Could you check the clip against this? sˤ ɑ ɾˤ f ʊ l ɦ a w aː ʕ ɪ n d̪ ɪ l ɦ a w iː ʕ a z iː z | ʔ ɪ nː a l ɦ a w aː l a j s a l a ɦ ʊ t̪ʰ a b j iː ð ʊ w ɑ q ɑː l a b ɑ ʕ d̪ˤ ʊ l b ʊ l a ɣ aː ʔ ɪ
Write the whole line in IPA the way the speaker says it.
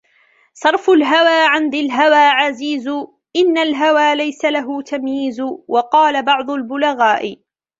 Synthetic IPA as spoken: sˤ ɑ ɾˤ f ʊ l ɦ a w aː ʕ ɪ n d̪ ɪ l ɦ a w aː ʕ a z iː z | ʔ ɪ nː a l ɦ a w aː l a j s a l a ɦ ʊ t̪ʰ a m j iː z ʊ w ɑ q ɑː l a b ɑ ʕ d̪ˤ ʊ l b ʊ l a ɣ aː ʔ ɪ